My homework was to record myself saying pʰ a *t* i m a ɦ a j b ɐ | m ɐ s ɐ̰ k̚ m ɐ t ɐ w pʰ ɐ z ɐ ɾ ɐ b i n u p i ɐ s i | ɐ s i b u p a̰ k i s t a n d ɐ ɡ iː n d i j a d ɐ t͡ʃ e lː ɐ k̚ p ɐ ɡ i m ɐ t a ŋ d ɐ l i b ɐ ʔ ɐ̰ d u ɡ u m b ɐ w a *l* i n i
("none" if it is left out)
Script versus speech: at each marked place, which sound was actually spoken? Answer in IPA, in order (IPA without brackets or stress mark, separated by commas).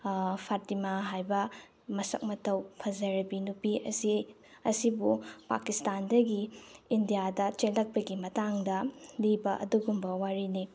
t, ɾ